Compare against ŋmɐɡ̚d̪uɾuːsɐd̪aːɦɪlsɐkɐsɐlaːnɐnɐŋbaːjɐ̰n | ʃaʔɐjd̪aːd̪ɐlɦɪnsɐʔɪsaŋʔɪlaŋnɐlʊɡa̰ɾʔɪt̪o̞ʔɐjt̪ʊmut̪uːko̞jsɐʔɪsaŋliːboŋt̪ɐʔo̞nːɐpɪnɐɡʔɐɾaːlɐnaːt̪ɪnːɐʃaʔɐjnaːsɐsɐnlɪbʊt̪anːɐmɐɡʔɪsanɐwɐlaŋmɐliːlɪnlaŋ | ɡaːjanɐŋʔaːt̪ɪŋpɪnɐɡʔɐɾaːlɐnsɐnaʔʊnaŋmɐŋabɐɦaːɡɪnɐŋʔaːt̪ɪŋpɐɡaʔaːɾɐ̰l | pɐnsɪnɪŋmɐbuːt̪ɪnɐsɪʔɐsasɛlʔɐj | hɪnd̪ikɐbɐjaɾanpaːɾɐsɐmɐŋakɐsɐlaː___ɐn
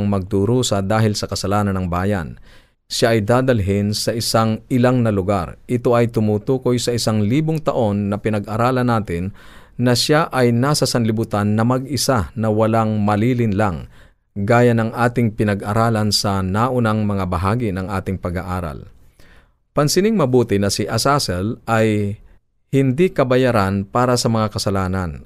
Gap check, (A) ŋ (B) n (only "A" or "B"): B